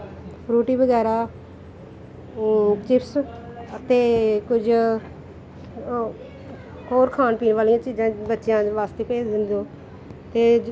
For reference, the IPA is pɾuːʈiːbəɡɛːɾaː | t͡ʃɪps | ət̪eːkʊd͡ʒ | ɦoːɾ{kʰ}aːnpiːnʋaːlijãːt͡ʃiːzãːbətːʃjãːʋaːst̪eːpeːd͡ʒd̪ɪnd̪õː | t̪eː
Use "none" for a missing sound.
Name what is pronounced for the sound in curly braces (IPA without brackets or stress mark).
kʰ